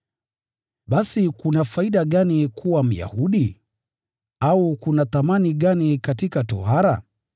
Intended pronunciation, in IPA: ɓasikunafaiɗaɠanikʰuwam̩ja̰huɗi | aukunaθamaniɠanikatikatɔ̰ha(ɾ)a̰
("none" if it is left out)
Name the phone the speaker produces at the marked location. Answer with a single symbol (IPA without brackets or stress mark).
ɾ